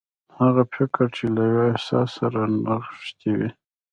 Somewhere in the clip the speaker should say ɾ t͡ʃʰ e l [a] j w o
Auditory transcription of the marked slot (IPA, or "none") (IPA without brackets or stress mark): a